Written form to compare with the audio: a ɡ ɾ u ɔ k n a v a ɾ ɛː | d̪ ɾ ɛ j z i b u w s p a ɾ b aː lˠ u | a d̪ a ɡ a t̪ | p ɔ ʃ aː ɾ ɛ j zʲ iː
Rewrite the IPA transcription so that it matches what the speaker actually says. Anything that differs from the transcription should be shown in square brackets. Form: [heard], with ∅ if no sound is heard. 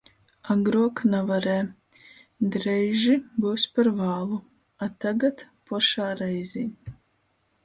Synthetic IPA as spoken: a ɡ ɾ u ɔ k n a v a ɾ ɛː | d̪ ɾ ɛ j [ʒ] i b u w s p a ɾ [v] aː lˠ u | a [t̪] a ɡ a t̪ | p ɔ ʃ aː ɾ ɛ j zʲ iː